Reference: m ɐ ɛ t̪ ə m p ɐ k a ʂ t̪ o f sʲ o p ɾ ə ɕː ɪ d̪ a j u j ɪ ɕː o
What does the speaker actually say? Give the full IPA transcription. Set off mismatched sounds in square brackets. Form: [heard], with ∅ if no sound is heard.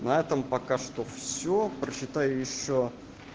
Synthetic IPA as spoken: [n] ɐ ɛ t̪ ə m p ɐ k a ʂ t̪ o f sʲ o p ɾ ə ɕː ɪ [t̪] a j [ʊ] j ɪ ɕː o